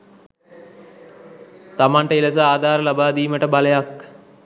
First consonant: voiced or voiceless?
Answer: voiceless